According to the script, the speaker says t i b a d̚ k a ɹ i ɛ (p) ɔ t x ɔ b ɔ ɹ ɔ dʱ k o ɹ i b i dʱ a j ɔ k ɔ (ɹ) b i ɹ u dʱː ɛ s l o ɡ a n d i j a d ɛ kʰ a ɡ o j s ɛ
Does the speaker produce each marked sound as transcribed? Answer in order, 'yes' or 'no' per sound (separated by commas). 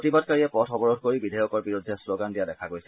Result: yes, yes